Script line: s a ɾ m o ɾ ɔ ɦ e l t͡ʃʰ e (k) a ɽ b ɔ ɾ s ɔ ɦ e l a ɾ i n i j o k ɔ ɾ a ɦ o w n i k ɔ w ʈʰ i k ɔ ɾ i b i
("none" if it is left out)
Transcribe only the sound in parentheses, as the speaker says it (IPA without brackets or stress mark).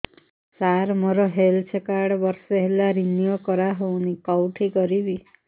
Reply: k